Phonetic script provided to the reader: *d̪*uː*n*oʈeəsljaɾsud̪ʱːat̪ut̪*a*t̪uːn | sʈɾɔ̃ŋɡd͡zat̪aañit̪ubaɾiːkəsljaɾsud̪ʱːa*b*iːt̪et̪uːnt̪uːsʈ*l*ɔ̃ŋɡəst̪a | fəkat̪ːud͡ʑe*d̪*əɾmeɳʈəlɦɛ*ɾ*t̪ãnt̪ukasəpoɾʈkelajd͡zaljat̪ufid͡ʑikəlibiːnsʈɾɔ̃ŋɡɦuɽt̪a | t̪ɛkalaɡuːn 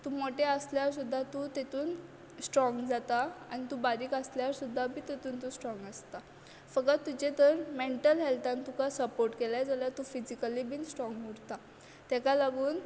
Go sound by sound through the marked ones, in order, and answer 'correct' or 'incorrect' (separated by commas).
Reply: incorrect, incorrect, incorrect, correct, incorrect, incorrect, incorrect